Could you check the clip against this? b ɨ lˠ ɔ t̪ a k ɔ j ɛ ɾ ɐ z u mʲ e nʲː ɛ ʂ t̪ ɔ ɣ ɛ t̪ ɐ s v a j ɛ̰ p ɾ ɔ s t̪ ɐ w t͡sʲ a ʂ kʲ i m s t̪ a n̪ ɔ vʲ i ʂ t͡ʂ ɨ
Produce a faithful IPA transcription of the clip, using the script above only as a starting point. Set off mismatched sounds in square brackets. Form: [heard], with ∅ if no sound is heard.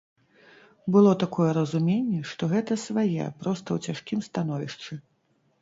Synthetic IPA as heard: b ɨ lˠ ɔ t̪ a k ɔ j ɛ ɾ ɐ z u mʲ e nʲː ɛ ʂ t̪ ɔ ɣ ɛ t̪ ɐ s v a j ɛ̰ p ɾ ɔ s t̪ ɐ w t͡sʲ a ʂ kʲ i m s t̪ a n̪ ɔ vʲ i ʂ t͡ʂ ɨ